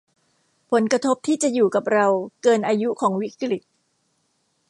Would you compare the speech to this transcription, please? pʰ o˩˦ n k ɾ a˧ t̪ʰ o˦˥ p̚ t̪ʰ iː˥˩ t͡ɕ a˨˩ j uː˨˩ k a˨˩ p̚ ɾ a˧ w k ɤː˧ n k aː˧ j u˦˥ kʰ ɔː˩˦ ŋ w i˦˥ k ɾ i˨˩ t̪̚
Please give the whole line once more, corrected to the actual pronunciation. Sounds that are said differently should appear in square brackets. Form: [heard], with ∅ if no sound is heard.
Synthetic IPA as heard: pʰ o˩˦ n k ɾ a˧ t̪ʰ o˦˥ p̚ t̪ʰ iː˥˩ t͡ɕ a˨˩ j uː˨˩ k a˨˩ p̚ ɾ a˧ w k ɤː˧ n [ʔ] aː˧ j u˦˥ kʰ ɔː˩˦ ŋ w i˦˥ k ɾ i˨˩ t̪̚